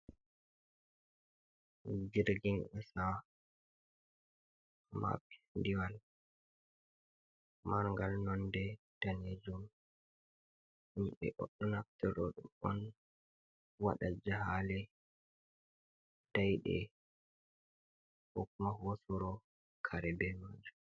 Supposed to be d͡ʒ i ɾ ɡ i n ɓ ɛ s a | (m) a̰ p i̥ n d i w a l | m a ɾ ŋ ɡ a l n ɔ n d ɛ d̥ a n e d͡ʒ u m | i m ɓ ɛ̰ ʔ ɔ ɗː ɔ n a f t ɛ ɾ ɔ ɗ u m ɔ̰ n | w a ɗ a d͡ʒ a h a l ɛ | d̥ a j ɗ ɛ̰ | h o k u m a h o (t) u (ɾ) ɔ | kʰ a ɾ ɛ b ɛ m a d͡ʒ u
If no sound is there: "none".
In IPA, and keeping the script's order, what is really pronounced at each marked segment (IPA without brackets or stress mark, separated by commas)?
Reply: m, s, ɾ